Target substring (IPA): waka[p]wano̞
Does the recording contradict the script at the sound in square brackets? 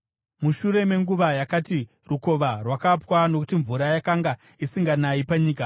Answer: no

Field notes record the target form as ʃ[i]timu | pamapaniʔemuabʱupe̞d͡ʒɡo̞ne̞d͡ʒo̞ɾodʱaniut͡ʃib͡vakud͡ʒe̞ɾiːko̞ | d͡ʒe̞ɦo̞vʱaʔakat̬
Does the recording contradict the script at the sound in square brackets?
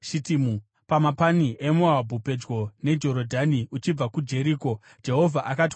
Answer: no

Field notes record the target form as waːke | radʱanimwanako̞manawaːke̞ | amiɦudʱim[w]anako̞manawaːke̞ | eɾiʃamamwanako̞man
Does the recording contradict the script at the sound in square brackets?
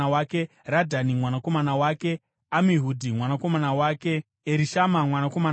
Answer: no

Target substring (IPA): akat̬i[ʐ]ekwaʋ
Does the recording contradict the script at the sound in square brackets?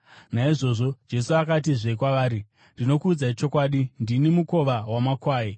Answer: no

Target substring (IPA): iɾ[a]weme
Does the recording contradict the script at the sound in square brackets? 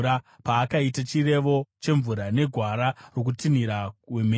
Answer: no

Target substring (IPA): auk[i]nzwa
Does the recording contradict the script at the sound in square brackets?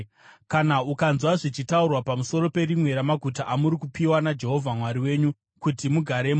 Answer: yes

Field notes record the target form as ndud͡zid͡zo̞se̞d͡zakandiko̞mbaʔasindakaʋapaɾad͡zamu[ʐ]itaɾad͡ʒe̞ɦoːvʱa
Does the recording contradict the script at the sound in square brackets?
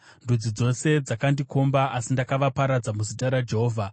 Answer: yes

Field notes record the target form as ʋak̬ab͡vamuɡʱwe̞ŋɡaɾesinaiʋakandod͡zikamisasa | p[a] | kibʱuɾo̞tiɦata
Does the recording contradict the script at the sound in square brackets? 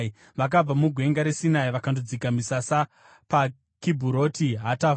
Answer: no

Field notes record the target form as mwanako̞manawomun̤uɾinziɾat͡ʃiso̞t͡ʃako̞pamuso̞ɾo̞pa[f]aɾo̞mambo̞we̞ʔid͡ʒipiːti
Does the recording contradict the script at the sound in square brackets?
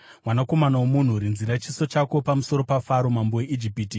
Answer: no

